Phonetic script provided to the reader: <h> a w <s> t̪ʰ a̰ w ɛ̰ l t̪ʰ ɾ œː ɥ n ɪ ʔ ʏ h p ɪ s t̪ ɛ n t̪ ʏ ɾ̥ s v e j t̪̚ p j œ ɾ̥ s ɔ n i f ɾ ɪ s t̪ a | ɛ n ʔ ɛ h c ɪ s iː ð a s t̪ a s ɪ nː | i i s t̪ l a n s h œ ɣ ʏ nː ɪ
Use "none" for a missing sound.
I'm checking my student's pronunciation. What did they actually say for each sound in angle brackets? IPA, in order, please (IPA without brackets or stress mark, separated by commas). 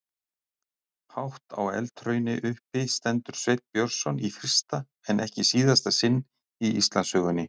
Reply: h, h